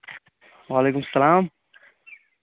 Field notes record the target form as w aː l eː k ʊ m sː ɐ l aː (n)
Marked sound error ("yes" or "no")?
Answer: yes